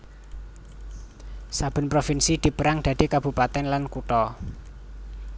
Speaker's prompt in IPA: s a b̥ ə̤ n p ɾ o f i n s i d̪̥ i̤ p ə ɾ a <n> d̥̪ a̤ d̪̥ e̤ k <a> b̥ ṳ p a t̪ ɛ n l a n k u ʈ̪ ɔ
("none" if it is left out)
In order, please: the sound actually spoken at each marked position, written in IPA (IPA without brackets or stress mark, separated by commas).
ŋ, a